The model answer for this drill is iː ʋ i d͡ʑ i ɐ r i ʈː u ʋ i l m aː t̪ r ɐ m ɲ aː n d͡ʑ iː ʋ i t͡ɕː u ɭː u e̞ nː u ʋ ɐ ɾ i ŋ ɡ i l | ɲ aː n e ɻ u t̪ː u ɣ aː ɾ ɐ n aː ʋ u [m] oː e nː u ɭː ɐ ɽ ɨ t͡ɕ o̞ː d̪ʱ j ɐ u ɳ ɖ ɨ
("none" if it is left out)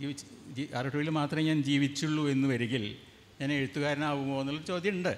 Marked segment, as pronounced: m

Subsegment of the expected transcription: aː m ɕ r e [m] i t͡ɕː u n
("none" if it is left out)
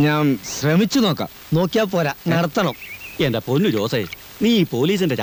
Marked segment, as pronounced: m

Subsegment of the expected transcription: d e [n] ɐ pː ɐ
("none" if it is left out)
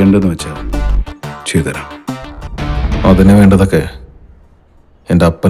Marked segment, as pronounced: none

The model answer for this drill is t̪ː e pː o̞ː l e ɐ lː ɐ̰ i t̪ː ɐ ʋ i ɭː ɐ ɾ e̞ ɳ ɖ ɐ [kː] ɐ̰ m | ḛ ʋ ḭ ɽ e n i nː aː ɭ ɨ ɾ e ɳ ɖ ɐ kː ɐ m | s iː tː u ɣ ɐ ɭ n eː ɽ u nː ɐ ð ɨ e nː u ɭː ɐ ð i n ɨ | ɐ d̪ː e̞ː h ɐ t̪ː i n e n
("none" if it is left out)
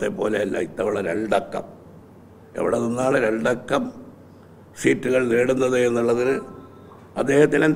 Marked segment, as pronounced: kː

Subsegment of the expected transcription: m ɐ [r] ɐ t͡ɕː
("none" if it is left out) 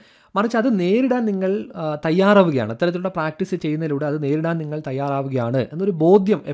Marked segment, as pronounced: r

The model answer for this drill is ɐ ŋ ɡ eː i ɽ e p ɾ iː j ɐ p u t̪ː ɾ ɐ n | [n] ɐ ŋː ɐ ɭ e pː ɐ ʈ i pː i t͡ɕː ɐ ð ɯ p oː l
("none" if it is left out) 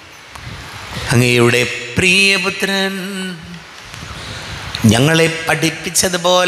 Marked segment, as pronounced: ɲ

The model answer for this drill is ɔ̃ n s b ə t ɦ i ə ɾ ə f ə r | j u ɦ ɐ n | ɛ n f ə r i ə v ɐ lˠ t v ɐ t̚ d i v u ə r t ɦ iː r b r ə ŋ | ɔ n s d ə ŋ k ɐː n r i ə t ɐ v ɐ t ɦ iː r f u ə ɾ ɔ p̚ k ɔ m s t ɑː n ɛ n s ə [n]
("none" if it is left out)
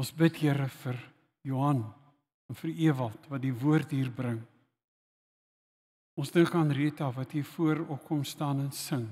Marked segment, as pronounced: ŋ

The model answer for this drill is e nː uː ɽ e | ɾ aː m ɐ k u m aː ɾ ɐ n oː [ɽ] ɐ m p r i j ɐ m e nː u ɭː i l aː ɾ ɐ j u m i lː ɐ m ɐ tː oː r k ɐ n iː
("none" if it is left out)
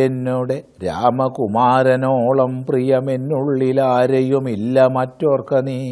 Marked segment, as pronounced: ɭ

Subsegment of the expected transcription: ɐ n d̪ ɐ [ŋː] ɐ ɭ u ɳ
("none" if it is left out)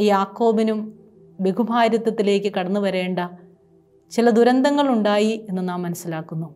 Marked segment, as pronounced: ŋː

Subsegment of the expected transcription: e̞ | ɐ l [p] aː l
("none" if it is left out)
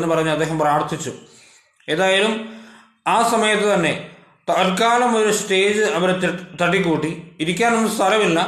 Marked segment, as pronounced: k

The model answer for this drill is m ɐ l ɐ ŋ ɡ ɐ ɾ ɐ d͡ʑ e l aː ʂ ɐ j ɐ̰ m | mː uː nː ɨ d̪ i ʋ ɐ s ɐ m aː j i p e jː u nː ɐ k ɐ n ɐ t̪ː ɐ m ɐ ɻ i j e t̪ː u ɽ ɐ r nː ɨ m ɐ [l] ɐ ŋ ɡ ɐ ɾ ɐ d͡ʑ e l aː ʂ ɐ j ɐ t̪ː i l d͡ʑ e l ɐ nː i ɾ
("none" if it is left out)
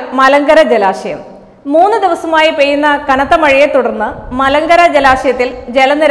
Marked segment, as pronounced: l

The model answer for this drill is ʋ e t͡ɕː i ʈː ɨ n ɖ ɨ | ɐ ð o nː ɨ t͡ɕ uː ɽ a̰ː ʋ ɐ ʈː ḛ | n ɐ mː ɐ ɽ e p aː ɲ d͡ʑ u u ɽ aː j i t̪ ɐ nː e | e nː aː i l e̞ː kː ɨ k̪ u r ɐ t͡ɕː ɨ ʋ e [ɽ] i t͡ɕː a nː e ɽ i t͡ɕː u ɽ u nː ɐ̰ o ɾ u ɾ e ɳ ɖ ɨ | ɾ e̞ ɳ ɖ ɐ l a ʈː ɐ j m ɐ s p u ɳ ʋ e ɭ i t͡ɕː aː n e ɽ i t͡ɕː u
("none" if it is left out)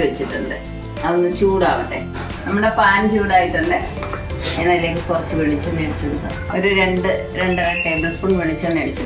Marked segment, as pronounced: ɭ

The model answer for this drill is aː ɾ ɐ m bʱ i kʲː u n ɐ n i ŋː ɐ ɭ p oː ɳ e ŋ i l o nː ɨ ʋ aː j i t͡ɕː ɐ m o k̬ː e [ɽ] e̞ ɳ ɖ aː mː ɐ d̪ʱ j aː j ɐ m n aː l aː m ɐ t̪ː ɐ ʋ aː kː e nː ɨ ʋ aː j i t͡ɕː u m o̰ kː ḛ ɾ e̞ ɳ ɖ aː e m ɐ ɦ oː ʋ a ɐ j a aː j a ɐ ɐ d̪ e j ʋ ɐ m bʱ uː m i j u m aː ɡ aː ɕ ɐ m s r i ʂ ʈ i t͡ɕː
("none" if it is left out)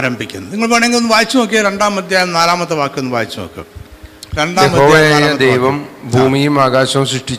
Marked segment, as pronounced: ɾ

